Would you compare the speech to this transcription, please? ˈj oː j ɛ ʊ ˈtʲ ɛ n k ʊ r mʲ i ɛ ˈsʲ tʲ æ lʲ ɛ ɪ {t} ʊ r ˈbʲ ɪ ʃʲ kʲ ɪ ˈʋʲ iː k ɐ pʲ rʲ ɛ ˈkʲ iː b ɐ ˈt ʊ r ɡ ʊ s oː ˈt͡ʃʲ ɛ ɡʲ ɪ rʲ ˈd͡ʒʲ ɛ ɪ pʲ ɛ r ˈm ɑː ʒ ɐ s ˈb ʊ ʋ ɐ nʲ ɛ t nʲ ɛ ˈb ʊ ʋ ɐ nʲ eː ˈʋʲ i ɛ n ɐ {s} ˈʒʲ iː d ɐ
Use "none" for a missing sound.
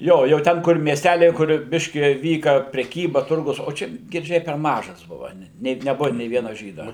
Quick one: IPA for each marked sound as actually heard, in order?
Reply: k, none

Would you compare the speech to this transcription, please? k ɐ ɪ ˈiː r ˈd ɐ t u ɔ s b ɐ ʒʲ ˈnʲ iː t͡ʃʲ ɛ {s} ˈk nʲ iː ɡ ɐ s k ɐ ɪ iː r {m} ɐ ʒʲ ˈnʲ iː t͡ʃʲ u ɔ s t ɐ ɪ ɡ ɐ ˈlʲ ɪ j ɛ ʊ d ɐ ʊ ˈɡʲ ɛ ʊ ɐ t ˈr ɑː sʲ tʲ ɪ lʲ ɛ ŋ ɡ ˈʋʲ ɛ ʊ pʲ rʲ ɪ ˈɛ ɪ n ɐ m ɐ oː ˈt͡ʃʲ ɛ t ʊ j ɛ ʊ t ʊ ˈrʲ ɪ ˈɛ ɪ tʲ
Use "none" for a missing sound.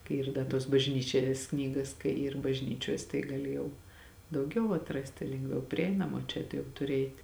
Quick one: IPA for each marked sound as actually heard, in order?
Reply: s, b

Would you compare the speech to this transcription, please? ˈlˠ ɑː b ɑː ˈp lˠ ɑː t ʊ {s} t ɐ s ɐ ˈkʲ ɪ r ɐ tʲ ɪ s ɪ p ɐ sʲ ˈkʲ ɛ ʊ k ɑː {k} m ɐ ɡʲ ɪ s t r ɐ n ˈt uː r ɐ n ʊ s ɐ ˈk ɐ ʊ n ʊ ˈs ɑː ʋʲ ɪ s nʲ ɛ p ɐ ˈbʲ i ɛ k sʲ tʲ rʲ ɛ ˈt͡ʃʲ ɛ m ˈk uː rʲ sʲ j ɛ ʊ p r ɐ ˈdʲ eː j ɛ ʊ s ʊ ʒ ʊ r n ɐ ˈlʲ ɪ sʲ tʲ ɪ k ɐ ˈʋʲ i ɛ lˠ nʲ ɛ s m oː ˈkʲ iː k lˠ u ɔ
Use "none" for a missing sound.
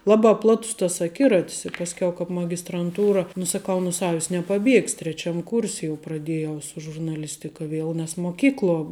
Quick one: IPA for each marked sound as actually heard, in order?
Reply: s, p

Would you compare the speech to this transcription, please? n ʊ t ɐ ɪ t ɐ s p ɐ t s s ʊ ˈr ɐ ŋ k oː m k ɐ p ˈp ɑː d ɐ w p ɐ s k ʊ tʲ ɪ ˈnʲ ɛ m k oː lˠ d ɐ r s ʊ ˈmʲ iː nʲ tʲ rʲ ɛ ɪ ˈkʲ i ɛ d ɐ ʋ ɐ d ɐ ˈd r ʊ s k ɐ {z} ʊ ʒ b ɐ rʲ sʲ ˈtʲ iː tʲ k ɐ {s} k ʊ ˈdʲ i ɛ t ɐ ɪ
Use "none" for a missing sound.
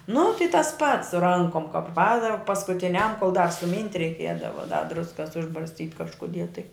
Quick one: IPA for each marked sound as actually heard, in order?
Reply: s, ʃ

